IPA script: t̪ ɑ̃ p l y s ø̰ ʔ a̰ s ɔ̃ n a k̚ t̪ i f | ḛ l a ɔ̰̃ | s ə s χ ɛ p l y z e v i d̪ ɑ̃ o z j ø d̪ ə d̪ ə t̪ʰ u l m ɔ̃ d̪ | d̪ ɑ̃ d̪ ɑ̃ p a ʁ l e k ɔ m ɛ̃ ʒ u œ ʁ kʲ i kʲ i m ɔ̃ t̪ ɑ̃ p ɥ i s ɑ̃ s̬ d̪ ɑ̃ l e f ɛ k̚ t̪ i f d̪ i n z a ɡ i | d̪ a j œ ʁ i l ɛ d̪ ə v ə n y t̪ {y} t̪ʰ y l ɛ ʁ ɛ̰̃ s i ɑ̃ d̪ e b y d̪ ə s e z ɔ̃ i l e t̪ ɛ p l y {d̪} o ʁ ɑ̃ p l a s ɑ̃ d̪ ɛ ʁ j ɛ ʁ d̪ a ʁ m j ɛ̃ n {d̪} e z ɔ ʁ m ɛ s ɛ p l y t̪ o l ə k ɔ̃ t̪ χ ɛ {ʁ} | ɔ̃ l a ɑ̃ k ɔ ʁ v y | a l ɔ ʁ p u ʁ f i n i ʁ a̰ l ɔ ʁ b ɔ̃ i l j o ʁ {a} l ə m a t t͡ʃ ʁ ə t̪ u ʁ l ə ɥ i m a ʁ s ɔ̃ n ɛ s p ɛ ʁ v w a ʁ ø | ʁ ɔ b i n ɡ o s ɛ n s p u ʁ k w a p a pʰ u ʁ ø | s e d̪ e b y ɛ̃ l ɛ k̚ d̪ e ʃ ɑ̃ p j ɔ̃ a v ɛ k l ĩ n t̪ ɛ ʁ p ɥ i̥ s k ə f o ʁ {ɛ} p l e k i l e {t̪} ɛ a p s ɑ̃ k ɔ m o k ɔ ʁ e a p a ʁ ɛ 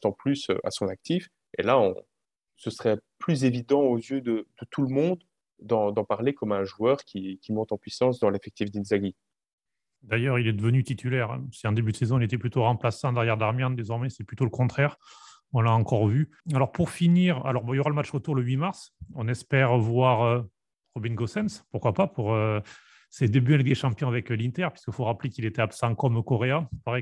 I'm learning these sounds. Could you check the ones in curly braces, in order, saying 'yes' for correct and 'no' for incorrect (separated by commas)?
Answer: no, no, yes, yes, yes, no, yes